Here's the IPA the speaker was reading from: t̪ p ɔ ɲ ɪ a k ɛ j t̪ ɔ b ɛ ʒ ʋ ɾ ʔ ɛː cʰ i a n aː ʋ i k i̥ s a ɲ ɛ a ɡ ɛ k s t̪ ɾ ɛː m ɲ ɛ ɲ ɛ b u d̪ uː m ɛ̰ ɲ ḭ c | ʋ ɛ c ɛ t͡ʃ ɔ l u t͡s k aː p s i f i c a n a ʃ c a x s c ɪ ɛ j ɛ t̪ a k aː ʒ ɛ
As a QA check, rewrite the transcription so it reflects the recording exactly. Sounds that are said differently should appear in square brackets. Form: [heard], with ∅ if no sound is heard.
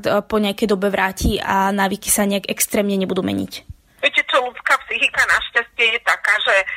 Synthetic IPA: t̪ p ɔ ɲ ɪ a k ɛ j [d̪] ɔ b ɛ [∅] ʋ ɾ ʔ [aː] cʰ i a n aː ʋ i k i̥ s a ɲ ɛ a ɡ ɛ k s t̪ ɾ ɛː m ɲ ɛ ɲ ɛ b u d̪ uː m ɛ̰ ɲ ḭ c | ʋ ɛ c ɛ t͡ʃ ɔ l u t͡s k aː p s i [x] i [k] a n a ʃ c a [∅] s c ɪ ɛ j ɛ t̪ a k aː ʒ ɛ